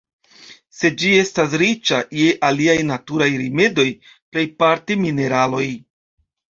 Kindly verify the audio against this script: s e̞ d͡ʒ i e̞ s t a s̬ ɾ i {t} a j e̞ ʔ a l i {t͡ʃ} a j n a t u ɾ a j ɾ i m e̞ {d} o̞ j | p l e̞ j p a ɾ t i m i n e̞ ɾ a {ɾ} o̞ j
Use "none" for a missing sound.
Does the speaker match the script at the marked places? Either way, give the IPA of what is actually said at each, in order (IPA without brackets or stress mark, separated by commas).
t͡ʃ, none, d, l